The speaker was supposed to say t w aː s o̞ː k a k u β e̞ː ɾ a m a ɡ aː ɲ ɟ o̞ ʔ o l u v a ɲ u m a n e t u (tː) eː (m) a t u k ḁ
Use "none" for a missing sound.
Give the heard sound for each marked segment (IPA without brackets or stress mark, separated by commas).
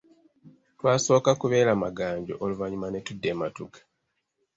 dː, m